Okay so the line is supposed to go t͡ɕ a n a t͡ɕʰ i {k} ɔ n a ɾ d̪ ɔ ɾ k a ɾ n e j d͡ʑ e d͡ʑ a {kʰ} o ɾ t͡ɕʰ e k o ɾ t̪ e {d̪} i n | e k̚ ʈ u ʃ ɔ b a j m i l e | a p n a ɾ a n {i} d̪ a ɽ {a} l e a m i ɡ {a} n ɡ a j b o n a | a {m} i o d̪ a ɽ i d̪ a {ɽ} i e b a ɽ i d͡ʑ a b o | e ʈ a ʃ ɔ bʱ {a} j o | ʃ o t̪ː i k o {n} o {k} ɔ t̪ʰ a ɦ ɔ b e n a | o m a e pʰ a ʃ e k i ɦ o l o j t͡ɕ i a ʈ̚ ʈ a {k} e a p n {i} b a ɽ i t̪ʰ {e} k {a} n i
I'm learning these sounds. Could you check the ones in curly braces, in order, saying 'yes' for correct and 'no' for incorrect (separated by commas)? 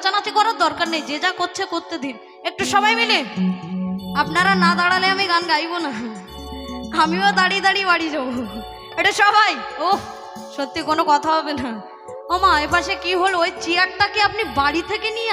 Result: yes, no, yes, no, yes, yes, yes, yes, yes, yes, yes, yes, yes, yes, no